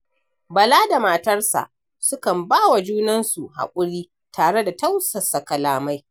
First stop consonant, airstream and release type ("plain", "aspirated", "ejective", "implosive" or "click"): plain